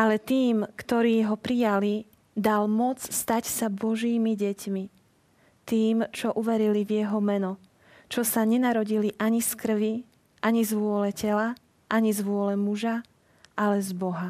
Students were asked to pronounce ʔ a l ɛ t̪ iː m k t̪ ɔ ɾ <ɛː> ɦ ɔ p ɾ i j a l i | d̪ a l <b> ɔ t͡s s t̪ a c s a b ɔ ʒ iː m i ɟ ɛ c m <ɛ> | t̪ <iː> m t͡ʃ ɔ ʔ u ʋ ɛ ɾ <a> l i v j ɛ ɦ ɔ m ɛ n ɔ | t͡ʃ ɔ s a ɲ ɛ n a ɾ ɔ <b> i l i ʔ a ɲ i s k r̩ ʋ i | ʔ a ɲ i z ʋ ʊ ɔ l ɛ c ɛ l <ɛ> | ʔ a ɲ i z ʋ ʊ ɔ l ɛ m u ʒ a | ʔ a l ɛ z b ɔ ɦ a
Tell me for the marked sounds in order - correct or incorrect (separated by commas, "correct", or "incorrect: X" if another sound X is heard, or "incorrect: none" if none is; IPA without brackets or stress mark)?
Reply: incorrect: iː, incorrect: m, incorrect: i, correct, incorrect: i, incorrect: ɟ, incorrect: a